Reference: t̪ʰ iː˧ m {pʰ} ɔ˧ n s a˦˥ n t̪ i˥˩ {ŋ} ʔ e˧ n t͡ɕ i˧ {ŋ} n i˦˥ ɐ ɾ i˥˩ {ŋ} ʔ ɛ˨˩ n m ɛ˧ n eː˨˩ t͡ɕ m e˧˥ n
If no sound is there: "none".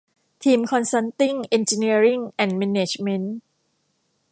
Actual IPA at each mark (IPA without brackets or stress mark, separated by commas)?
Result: kʰ, ŋ, none, ŋ